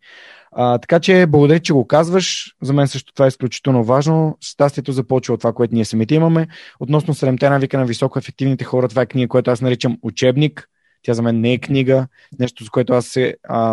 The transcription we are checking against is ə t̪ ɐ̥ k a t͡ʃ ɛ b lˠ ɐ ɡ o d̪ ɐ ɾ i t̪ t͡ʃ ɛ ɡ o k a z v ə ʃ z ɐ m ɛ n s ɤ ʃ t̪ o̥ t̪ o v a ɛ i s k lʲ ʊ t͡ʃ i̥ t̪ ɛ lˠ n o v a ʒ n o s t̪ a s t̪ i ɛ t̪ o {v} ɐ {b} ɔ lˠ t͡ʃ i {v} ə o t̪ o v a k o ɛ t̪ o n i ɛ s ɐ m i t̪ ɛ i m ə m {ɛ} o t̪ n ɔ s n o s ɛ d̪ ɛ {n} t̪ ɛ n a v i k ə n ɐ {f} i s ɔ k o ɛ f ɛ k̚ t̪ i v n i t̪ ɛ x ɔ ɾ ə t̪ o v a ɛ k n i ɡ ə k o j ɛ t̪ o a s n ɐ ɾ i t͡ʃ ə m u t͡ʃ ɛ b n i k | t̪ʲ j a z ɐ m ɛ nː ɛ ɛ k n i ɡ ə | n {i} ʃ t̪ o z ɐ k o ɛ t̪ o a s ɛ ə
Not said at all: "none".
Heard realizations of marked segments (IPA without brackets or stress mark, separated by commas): z, p, v, ɛ, m, v, ɛ